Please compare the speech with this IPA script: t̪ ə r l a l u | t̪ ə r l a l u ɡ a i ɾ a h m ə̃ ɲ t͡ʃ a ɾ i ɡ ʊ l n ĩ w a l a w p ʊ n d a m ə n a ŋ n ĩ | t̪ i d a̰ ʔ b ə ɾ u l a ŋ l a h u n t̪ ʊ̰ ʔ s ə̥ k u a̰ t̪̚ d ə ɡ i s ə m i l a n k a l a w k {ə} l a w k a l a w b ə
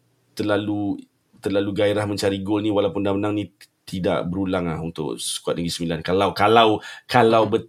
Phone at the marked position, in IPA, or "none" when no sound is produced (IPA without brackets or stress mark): a